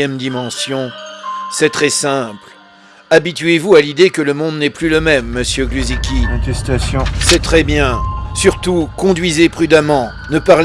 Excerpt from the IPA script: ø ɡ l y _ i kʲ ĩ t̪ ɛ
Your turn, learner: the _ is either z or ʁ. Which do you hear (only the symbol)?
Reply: z